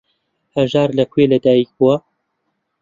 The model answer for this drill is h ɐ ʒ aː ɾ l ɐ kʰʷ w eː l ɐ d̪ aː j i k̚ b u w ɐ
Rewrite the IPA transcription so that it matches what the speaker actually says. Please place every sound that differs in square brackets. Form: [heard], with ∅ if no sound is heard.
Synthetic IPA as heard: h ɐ ʒ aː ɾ l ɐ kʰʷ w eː l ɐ d̪ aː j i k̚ b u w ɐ